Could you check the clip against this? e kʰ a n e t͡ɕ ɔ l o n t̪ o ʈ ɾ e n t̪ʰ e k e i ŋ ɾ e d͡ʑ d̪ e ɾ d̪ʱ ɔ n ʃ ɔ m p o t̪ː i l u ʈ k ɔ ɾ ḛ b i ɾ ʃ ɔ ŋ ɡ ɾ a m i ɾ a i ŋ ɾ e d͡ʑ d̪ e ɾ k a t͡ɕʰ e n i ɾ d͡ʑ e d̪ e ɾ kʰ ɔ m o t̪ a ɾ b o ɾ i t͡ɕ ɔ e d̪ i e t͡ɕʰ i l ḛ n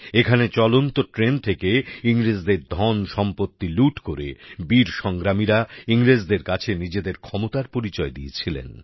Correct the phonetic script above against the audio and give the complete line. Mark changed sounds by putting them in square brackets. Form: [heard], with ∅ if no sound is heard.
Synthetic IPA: e kʰ a n e t͡ɕ ɔ l o n t̪ o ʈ ɾ e n t̪ʰ e k e i ŋ ɾ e d͡ʑ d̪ e ɾ d̪ʱ ɔ n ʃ ɔ m p o t̪ː i l u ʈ k [o] ɾ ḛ b i ɾ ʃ ɔ ŋ ɡ ɾ a m i ɾ a i ŋ ɾ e d͡ʑ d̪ e ɾ k a t͡ɕʰ e n i [∅] d͡ʑ e d̪ e ɾ kʰ ɔ m o t̪ a ɾ [p] o ɾ i t͡ɕ ɔ e d̪ i e t͡ɕʰ i l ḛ n